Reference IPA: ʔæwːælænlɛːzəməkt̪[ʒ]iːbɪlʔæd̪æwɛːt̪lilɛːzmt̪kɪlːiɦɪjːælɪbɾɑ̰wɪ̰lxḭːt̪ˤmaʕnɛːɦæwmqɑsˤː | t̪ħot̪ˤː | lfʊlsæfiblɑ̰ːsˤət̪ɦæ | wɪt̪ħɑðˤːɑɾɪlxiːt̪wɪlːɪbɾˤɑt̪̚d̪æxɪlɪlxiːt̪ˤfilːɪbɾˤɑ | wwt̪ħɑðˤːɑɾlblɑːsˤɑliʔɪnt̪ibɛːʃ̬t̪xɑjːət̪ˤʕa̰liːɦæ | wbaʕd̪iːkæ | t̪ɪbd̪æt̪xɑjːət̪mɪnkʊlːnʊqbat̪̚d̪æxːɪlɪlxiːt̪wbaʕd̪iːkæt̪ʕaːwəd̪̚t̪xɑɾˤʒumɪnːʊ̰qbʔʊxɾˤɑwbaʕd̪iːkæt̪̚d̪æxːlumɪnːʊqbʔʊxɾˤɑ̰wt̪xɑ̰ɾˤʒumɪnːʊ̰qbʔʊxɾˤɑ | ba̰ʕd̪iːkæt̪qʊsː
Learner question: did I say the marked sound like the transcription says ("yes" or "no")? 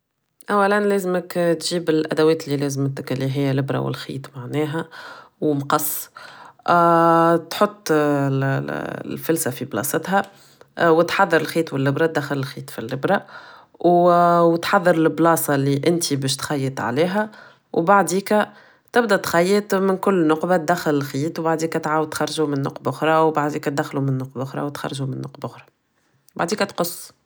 yes